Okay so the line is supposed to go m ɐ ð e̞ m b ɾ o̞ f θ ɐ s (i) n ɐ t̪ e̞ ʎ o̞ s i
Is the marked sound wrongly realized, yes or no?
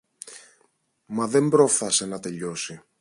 yes